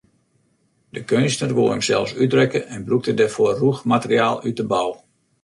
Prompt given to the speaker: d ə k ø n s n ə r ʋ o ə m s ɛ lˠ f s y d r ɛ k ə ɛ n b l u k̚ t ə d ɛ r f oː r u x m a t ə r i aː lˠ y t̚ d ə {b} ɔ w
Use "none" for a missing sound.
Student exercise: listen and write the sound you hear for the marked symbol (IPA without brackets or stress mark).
b